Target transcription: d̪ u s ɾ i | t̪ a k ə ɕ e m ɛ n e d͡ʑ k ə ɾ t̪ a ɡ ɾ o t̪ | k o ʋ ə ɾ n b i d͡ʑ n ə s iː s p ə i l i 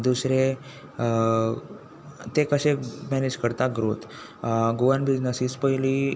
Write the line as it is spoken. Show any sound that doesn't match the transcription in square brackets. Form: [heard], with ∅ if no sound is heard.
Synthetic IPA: d̪ u s ɾ [e] | t̪ [e] k ə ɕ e m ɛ n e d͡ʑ k ə ɾ t̪ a ɡ ɾ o t̪ | [ɡ] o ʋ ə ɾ n b i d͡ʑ n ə s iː s p ə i l i